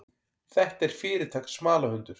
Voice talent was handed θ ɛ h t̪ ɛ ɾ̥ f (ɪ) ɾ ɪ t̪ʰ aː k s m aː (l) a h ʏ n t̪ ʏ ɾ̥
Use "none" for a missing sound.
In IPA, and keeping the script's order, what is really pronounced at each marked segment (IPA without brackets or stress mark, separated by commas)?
ɪː, l